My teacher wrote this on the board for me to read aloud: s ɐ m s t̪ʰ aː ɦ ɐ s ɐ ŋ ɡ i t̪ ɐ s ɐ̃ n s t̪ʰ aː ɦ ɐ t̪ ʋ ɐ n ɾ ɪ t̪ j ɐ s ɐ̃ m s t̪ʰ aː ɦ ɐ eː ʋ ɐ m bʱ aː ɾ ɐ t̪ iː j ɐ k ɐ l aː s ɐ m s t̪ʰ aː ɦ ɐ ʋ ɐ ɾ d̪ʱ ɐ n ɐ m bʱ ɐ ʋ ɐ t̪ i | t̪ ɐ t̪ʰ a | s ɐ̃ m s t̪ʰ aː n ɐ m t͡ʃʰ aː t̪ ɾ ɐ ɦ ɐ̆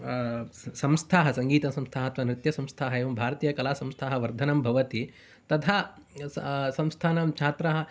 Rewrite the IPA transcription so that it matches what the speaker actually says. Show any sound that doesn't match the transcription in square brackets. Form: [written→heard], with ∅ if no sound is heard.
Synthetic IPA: s ɐ m s t̪ʰ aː ɦ ɐ s ɐ ŋ ɡ [i→iː] t̪ ɐ s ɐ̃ [n→m] s t̪ʰ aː ɦ ɐ t̪ ʋ ɐ n ɾ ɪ t̪ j ɐ s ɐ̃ m s t̪ʰ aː ɦ ɐ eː ʋ ɐ m bʱ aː ɾ ɐ t̪ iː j ɐ k ɐ l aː s ɐ m s t̪ʰ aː ɦ ɐ ʋ ɐ ɾ d̪ʱ ɐ n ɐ m bʱ ɐ ʋ ɐ t̪ i | t̪ ɐ t̪ʰ a | s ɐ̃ m s t̪ʰ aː n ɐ m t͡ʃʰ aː t̪ ɾ ɐ ɦ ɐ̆